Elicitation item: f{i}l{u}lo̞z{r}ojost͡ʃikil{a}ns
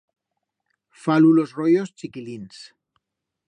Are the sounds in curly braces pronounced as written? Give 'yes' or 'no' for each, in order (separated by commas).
no, yes, yes, no